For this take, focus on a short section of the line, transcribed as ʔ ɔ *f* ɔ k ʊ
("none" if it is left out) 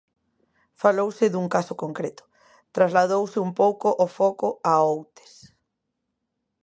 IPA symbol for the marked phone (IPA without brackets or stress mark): f